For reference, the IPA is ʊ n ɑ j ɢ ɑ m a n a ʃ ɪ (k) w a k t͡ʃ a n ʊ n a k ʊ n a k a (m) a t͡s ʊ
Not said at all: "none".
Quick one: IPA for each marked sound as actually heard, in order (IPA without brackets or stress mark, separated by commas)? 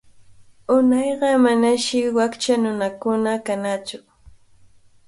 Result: none, n